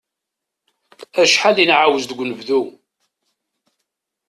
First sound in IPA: æ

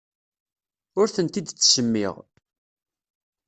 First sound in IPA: ʊ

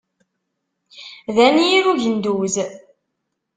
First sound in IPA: ð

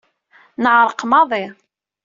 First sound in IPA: n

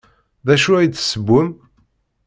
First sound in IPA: ð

